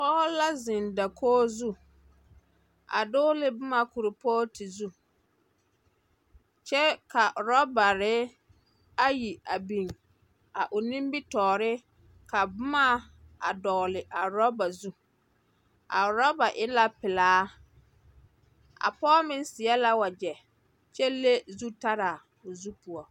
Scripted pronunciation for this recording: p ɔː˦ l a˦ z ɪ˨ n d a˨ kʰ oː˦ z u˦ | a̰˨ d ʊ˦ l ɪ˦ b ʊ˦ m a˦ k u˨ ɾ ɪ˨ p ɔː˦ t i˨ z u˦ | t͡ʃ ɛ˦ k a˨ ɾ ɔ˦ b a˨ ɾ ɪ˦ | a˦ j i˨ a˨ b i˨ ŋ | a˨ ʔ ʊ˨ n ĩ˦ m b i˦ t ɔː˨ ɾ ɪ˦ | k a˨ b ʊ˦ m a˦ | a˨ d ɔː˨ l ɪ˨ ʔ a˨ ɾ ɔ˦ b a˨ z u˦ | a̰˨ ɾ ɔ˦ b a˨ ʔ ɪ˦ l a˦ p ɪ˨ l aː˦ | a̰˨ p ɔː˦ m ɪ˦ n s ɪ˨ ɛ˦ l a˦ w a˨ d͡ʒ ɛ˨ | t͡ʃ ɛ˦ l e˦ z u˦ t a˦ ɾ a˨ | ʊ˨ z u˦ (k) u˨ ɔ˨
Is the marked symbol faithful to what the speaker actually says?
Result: no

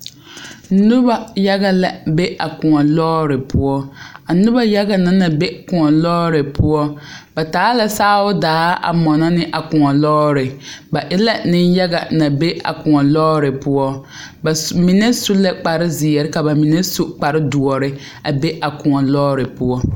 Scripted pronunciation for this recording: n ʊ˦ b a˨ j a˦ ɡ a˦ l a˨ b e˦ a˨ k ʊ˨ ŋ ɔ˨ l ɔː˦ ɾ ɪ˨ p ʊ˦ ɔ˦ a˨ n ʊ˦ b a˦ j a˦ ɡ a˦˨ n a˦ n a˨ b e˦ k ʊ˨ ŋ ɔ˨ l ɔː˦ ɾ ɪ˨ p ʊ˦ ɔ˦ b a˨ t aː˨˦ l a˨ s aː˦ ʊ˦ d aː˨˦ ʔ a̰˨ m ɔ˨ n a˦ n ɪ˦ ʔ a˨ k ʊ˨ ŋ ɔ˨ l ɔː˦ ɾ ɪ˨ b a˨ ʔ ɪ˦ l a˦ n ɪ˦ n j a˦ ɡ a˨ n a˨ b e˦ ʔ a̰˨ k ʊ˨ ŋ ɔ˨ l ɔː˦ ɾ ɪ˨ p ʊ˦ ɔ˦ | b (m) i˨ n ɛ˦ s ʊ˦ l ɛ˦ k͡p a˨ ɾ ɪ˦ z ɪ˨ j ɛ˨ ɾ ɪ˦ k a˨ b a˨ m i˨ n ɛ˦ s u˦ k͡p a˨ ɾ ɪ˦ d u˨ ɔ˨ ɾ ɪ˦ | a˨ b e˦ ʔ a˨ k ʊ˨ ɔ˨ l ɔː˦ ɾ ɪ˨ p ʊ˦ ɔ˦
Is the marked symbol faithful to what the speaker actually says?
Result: yes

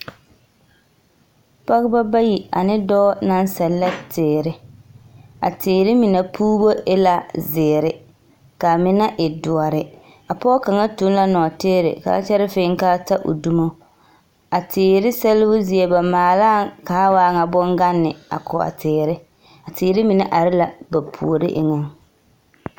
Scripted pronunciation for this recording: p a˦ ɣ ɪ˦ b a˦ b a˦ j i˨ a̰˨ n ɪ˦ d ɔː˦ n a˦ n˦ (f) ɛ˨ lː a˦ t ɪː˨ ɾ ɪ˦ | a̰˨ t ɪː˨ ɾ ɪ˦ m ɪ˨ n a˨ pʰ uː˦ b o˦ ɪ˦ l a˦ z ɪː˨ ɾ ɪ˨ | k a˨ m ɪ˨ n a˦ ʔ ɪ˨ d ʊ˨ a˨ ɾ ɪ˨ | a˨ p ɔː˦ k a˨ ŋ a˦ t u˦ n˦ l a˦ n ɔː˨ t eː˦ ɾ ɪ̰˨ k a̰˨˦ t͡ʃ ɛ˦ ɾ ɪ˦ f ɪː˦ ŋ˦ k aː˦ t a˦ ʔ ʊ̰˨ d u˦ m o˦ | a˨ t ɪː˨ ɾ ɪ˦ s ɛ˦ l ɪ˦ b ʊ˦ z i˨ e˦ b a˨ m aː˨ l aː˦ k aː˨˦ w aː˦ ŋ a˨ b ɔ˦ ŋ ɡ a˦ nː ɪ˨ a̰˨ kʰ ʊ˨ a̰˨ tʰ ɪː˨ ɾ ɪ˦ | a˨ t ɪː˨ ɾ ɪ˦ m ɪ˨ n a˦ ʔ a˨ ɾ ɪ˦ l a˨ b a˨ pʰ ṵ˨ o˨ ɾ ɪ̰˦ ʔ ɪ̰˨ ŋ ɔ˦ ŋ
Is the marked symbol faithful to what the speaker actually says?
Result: no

